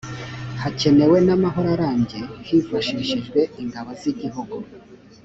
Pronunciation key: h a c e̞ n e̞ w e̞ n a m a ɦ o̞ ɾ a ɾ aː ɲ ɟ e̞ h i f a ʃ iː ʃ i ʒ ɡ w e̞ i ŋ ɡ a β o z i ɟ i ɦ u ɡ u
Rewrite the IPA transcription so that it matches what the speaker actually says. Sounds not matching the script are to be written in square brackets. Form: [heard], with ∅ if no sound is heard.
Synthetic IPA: h a c e̞ n e̞ w e̞ n a m a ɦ o̞ ɾ a ɾ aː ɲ ɟ e̞ h i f a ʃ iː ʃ i ʒ ɡ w e̞ i ŋ ɡ a β o z i ɟ i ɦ u ɡ u